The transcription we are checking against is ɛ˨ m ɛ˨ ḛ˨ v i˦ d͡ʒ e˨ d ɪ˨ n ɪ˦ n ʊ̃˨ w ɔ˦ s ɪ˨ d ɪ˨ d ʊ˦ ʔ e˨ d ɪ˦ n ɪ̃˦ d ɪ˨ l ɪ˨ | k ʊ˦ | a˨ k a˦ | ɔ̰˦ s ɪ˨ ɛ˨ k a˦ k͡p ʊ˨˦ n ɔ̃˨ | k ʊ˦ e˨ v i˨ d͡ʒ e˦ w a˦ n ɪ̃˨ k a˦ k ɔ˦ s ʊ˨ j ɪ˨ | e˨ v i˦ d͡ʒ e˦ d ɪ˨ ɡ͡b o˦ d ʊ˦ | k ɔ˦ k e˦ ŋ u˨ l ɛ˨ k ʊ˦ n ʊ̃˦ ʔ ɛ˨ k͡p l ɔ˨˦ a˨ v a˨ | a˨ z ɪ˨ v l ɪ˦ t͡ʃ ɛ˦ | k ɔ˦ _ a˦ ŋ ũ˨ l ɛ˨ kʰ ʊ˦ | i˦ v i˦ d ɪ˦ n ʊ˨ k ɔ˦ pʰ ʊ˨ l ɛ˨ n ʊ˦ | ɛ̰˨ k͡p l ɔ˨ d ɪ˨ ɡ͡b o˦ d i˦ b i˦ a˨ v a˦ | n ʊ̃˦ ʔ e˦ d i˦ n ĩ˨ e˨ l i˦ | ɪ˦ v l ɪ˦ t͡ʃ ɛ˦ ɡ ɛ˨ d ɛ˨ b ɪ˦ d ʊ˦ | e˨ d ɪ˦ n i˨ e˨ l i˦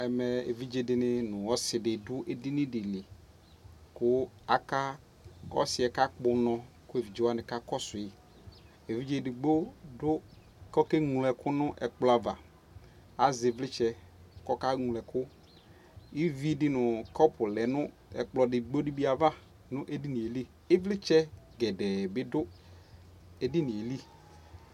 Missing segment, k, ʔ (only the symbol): k